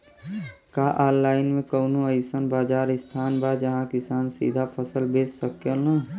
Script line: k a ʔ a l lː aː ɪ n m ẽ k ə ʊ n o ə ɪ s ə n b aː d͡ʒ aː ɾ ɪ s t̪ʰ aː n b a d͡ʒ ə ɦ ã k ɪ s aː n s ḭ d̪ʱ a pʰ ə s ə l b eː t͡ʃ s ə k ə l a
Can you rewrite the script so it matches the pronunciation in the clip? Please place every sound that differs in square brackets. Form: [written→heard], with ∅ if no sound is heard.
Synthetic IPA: k a ʔ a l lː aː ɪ n m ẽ k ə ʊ n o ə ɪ s ə n b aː d͡ʒ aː ɾ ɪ s t̪ʰ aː n b a d͡ʒ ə ɦ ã k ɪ s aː n s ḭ d̪ʱ a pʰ ə s ə l b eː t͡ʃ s ə k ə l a